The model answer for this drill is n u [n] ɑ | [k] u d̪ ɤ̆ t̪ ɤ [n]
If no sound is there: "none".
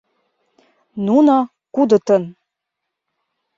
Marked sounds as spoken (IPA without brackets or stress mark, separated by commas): n, k, n